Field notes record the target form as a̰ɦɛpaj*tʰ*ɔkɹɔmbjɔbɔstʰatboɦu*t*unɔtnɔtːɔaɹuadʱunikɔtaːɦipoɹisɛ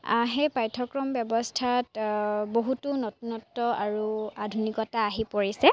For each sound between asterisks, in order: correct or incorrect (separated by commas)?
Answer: correct, correct